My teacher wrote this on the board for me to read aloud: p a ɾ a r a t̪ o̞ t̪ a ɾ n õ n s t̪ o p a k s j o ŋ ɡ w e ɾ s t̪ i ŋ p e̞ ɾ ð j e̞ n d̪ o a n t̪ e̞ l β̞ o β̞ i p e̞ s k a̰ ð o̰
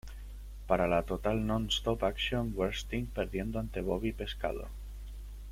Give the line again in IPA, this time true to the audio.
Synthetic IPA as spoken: p a ɾ a l a t̪ o̞ t̪ a l n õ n s t̪ o p a k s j o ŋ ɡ w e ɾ s t̪ i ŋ p e̞ ɾ ð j e̞ n d̪ o a n t̪ e̞ β̞ o β̞ i p e̞ s k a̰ ð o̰